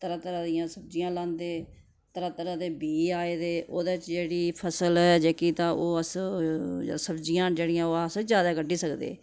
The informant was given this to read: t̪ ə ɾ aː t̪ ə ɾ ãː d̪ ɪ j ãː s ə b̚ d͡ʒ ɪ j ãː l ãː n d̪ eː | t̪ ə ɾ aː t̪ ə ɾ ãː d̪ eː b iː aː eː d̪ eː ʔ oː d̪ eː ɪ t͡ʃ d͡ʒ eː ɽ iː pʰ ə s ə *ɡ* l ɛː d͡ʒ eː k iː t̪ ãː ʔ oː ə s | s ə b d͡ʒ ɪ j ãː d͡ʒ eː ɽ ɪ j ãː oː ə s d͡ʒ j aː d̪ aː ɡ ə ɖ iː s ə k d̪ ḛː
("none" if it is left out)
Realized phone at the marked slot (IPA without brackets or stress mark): none